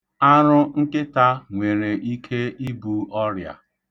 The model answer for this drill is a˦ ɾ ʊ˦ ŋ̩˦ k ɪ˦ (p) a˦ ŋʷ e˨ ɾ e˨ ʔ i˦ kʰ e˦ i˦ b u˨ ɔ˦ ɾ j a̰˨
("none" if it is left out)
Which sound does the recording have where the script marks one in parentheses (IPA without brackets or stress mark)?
t